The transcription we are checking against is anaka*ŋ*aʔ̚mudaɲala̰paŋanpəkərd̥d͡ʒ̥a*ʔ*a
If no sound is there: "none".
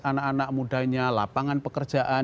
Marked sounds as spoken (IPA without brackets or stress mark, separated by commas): n, ʔ